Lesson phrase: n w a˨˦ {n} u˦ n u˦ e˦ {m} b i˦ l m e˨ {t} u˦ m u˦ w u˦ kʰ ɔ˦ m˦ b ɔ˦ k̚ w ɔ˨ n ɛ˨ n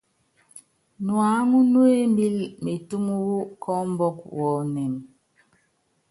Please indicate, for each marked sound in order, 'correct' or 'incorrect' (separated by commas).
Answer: incorrect, correct, correct